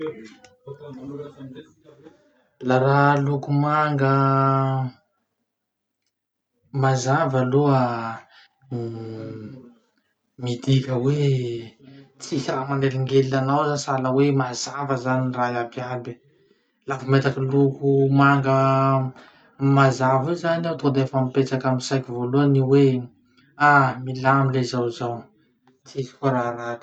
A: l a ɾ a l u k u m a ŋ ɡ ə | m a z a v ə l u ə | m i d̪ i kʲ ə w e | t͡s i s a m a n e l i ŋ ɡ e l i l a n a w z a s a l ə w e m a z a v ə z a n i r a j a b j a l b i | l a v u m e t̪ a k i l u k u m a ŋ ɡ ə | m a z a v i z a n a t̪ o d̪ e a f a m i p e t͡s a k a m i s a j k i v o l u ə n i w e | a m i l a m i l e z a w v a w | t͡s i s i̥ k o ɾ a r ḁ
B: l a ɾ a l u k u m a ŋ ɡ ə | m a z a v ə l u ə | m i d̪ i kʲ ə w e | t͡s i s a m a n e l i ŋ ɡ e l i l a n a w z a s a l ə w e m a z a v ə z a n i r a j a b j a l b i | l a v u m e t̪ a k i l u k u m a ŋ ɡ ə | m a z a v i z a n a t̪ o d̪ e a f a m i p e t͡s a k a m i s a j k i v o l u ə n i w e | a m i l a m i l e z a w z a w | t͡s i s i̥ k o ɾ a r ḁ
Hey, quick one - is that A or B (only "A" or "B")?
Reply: B